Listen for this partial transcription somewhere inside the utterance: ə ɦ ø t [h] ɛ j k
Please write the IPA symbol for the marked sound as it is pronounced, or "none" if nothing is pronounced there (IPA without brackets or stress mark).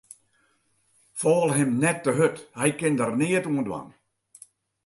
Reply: h